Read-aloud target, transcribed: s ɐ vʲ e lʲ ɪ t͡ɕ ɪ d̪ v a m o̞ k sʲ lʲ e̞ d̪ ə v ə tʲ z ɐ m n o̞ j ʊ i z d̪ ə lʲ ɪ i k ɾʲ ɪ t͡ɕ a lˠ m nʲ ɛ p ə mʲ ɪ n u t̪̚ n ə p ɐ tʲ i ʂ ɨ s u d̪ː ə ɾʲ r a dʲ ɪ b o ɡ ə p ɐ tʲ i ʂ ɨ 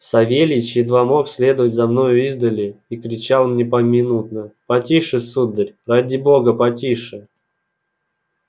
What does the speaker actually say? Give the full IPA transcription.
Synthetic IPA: s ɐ vʲ e lʲ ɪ t͡ɕ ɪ d̪ v a m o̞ k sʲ lʲ e̞ d̪ ə v ə tʲ z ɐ m n o̞ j ʊ i z d̪ ə lʲ ɪ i k ɾʲ ɪ t͡ɕ a lˠ m nʲ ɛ p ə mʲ ɪ n u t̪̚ n ə p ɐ tʲ i ʂ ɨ s u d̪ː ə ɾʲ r a dʲ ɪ b o ɡ ə p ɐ tʲ i ʂ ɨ

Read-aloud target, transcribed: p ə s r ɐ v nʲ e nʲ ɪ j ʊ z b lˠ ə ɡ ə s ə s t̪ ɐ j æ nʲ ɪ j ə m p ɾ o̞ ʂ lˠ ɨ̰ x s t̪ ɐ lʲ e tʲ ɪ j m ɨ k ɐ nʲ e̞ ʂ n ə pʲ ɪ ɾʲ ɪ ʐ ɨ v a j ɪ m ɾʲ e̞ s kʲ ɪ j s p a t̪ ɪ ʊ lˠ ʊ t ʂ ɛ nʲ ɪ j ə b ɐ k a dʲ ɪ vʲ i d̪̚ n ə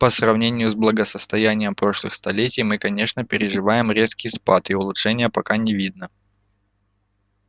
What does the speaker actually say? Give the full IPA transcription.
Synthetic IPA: p ə s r ɐ v nʲ e nʲ ɪ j ʊ z b lˠ ə ɡ ə s ə s t̪ ɐ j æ nʲ ɪ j ə m p ɾ o̞ ʂ lˠ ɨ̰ x s t̪ ɐ lʲ e tʲ ɪ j m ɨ k ɐ nʲ e̞ ʂ n ə pʲ ɪ ɾʲ ɪ ʐ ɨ v a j ɪ m ɾʲ e̞ s kʲ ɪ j s p a t̪ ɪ ʊ lˠ ʊ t ʂ ɛ nʲ ɪ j ə p ɐ k a nʲ ɪ vʲ i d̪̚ n ə

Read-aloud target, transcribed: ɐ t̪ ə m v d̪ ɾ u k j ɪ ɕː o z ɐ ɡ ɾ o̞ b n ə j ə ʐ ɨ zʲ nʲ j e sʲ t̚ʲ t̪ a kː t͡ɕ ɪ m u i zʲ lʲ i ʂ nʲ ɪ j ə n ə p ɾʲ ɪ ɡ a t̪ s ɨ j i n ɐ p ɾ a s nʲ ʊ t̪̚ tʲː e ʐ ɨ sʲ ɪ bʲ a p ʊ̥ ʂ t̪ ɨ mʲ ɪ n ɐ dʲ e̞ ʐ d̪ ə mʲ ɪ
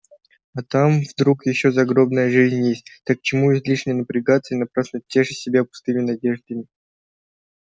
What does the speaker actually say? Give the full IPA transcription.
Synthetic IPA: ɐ t̪ a m v d̪ ɾ u k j ɪ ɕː o z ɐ ɡ ɾ o̞ b n ə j ə ʐ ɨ zʲ nʲ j e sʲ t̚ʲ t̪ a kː t͡ɕ ɪ m u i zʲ lʲ i ʂ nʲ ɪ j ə n ə p ɾʲ ɪ ɡ a t̪ s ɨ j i n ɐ p ɾ a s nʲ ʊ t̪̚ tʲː e ʐ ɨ sʲ ɪ bʲ a p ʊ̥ s t̪ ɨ mʲ ɪ n ɐ dʲ e̞ ʐ d̪ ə mʲ ɪ

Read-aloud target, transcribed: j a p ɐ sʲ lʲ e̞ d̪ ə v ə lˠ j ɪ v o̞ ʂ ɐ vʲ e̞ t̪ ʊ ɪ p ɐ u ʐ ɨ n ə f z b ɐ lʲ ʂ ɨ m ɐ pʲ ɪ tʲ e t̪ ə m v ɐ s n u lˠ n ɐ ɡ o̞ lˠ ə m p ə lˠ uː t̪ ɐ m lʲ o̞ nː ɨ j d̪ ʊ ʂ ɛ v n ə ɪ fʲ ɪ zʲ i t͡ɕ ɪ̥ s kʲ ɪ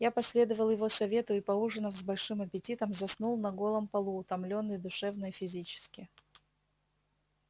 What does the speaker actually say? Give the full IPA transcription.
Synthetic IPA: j a p ɐ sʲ lʲ e̞ d̪ ə v ə lˠ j ɪ v o̞ s ɐ vʲ e̞ t̪ ʊ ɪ p ɐ u ʐ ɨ n ə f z b ɐ lʲ ʂ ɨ m ɐ pʲ ɪ tʲ i t̪ ə m z ɐ s n u lˠ n ɐ ɡ o̞ lˠ ə m p ɐ lˠ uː t̪ ɐ m lʲ o̞ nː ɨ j d̪ ʊ ʂ ɛ v n ə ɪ fʲ ɪ zʲ i t͡ɕ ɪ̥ s kʲ ɪ

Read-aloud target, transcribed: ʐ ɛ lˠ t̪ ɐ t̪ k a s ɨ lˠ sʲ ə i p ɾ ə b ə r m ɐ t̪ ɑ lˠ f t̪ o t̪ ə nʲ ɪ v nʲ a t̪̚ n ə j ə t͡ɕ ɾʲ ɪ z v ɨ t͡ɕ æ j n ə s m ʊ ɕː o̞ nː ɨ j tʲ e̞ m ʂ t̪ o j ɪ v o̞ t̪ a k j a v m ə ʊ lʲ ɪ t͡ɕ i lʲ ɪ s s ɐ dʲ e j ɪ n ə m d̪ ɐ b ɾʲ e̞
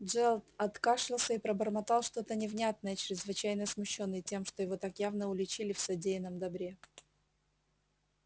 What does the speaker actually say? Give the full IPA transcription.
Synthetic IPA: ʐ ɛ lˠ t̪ ɐ t̪ k a ʂ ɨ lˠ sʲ ə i p ɾ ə b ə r m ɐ t̪ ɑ lˠ ʂ t̪ o t̪ ə nʲ ɪ v nʲ a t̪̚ n ə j ə t͡ɕ ɾʲ ɪ z v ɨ t͡ɕ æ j n ə s m ʊ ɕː o̞ nː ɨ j tʲ e̞ m ʂ t̪ o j ɪ v o̞ t̪ a k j a v n ə ʊ lʲ ɪ t͡ɕ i lʲ ɪ f s ɐ dʲ e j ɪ n ə m d̪ ɐ b ɾʲ e̞

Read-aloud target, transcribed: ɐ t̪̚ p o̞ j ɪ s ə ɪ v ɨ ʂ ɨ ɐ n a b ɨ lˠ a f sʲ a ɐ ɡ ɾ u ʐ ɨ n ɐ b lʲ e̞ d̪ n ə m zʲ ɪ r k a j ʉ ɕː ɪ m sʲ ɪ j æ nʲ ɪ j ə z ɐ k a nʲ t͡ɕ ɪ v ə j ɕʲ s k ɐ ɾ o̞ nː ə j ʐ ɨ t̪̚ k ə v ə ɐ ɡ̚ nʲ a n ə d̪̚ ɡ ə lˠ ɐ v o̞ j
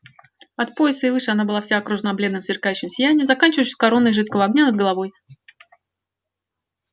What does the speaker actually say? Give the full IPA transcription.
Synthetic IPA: ɐ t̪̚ p o̞ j ɪ s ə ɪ v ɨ ʂ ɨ ɐ n a b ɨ lˠ a f sʲ a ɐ k ɾ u ʐ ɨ n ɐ b lʲ e̞ d̪ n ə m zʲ ɪ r k a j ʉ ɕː ɪ m sʲ ɪ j æ nʲ ɪ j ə z ɐ k a nʲ t͡ɕ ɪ v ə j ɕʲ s k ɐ ɾ o̞ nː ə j ʐ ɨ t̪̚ k ə v ə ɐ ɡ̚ nʲ a n ə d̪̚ ɡ ə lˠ ɐ v o̞ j

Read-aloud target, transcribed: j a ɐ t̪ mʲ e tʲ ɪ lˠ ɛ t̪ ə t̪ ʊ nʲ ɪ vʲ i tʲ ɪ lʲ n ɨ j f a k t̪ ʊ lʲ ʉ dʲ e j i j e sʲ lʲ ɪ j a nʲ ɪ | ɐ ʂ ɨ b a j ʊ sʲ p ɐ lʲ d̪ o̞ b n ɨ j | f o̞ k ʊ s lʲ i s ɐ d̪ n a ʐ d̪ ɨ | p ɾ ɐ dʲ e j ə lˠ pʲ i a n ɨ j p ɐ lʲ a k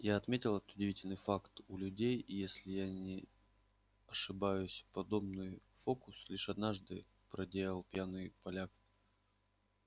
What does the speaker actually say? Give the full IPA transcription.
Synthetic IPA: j a ɐ t̪ mʲ e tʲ ɪ lˠ ɛ t̪ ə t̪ ʊ dʲ ɪ vʲ i tʲ ɪ lʲ n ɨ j f a k t̪ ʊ lʲ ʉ dʲ e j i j e sʲ lʲ ɪ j a nʲ ɪ | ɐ ʂ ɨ b a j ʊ sʲ p ɐ d̪ o̞ b n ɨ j | f o̞ k ʊ s lʲ i ʂ ɐ d̪ n a ʐ d̪ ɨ | p ɾ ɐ dʲ e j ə lˠ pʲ j a n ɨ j p ɐ lʲ a k

